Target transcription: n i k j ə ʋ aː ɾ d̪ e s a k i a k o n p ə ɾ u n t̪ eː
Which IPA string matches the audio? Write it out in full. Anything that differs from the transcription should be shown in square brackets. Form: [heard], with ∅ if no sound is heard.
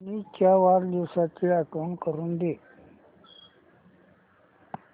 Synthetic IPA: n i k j [a] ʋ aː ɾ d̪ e s a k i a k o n [k] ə ɾ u n [d̪] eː